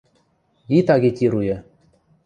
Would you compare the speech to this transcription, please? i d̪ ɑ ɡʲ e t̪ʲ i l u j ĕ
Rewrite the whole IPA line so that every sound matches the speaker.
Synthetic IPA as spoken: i t̪ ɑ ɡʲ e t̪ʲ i ɾ u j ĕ